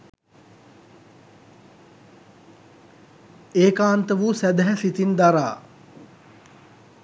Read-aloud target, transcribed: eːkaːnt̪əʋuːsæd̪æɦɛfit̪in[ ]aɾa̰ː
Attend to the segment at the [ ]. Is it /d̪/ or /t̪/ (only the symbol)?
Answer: d̪